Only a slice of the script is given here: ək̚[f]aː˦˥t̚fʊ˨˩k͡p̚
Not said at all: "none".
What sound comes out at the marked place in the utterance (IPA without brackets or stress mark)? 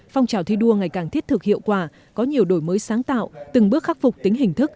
x